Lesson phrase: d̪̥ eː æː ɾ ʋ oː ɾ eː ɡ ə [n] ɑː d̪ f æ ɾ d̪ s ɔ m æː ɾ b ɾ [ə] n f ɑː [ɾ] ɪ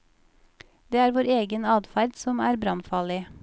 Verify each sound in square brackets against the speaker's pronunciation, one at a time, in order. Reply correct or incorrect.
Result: correct, incorrect: ɑ, incorrect: l

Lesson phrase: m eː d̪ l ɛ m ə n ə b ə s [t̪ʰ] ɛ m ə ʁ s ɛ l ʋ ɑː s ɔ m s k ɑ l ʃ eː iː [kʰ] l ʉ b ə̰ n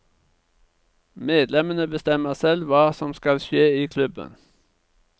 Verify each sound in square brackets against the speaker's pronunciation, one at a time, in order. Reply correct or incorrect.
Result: incorrect: t̪, correct

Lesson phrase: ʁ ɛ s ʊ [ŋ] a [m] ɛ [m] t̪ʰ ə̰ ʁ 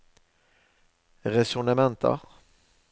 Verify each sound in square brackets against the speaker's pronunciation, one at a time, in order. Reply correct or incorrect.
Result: incorrect: n, correct, incorrect: n

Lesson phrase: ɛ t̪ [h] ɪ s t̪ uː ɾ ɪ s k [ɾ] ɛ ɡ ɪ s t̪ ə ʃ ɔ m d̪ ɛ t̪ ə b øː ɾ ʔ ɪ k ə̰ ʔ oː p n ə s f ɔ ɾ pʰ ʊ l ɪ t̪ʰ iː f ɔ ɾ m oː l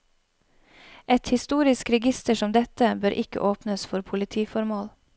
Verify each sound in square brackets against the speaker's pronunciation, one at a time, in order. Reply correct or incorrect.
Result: correct, correct

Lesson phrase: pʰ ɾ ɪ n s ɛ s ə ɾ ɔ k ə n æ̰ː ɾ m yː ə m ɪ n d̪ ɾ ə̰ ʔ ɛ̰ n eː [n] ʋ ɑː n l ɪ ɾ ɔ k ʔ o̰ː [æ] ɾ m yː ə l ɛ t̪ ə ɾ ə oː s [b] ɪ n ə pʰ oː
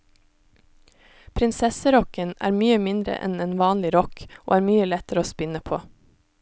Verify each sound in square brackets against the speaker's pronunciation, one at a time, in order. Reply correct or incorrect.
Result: correct, incorrect: æː, incorrect: p

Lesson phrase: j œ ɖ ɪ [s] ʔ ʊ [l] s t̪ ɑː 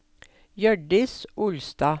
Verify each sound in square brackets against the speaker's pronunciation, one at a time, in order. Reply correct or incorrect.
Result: correct, correct

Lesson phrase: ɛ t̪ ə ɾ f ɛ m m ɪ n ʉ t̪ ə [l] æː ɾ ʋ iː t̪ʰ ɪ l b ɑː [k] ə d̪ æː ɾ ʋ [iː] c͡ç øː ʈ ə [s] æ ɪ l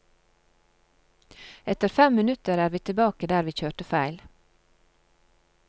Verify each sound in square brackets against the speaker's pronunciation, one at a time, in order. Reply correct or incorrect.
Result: incorrect: ɾ, correct, correct, incorrect: f

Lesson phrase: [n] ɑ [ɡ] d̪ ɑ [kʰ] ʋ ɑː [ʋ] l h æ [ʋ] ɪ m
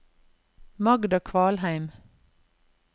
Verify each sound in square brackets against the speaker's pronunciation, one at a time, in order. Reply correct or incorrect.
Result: incorrect: m, correct, correct, incorrect: none, incorrect: none

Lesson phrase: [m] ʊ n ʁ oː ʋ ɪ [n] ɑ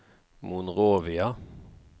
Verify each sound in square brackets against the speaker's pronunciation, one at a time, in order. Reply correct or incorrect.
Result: correct, incorrect: none

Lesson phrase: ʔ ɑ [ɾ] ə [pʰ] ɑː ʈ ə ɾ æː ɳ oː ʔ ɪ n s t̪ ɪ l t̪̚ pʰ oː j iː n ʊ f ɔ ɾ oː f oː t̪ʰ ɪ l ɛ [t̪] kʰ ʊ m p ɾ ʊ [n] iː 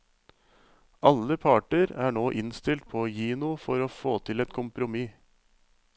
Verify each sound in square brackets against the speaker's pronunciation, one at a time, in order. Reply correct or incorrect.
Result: incorrect: l, correct, correct, incorrect: m

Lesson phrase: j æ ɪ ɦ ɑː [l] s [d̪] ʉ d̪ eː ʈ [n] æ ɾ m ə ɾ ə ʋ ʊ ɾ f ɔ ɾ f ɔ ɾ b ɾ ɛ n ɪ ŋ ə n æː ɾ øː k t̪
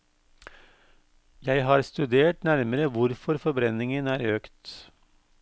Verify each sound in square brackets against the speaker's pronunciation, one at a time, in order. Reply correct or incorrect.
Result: incorrect: ɾ, incorrect: t̪, correct

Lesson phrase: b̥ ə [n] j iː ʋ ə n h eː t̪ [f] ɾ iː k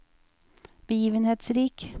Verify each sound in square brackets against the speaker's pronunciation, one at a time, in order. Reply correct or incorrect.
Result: incorrect: none, incorrect: s

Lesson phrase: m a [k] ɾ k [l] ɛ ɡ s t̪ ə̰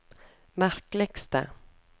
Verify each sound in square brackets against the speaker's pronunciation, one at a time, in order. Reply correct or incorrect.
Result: incorrect: none, correct

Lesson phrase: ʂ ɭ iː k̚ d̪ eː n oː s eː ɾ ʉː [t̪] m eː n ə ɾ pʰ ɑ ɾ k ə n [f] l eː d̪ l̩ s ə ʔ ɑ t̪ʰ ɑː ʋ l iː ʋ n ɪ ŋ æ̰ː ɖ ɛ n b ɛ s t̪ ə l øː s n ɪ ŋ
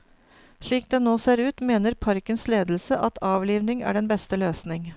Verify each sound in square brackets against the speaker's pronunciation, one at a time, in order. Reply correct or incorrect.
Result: correct, incorrect: s

